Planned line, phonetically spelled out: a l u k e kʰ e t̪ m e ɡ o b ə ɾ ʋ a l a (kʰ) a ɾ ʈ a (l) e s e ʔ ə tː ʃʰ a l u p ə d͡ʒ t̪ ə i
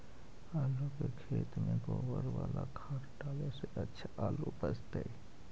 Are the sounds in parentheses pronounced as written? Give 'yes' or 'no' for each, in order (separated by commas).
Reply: yes, yes